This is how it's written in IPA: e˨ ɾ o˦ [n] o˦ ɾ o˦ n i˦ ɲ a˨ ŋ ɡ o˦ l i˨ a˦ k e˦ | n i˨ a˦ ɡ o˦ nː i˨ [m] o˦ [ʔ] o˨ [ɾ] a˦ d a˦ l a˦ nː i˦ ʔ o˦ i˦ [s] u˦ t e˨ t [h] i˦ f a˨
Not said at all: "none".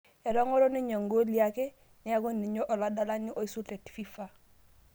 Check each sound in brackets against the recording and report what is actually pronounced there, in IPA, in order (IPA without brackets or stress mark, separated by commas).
ŋ, ɲ, ʔ, l, s, f